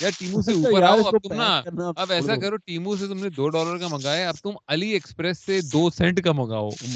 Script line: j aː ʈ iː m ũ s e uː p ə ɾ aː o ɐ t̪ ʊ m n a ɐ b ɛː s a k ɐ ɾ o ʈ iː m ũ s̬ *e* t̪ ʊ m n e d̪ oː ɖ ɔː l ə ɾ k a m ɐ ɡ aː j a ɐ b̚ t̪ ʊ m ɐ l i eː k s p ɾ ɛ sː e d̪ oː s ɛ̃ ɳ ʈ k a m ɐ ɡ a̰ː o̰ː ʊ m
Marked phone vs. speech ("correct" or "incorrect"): correct